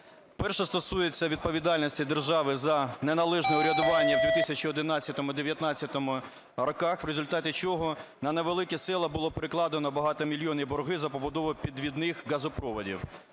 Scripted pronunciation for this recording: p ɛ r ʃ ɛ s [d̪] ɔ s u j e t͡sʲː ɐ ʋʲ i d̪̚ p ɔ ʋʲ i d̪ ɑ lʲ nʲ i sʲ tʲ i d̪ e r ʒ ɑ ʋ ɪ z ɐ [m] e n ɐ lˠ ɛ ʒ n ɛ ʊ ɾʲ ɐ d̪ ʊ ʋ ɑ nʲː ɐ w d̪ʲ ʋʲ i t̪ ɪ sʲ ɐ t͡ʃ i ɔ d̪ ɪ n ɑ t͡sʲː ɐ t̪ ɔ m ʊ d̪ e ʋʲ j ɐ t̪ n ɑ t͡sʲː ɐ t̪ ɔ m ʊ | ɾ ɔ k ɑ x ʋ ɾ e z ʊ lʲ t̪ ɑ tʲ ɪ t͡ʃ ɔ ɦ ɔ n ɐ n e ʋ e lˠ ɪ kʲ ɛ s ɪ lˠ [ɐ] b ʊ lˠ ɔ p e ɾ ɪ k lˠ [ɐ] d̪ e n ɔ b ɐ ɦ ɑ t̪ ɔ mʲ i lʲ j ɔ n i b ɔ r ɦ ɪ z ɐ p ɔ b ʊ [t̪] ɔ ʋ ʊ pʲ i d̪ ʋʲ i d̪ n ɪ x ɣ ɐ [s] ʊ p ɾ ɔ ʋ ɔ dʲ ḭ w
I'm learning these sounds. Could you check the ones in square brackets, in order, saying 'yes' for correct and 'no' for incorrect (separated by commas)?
no, no, yes, no, no, no